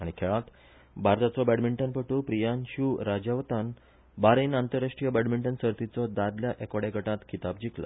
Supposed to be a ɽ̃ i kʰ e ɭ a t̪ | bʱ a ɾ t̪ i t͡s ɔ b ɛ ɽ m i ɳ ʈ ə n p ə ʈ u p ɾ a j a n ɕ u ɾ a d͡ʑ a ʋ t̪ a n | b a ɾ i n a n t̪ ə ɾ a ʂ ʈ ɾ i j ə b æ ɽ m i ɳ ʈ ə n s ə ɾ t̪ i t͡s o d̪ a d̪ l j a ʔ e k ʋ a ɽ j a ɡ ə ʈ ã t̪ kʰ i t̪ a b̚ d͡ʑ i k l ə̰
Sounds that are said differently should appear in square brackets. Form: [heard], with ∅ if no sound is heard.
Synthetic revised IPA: a ɽ̃ i kʰ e ɭ a t̪ | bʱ a ɾ t̪ [a] t͡s ɔ b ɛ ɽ m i ɳ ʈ ə n p ə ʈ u p ɾ [i] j a n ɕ u ɾ a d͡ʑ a ʋ t̪ a n | b a ɾ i n a n t̪ ə ɾ a ʂ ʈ ɾ i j ə b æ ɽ m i ɳ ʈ ə n s ə ɾ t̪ i t͡s [ɔ] d̪ a d̪ l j a ʔ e k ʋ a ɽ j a ɡ ə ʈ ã t̪ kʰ i t̪ a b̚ d͡ʑ i k l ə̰